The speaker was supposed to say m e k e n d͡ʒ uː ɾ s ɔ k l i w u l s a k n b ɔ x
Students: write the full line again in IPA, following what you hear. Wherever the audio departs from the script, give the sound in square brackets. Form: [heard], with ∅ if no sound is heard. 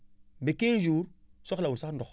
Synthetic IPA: [b] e k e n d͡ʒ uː ɾ s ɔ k l [a] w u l s a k n [d] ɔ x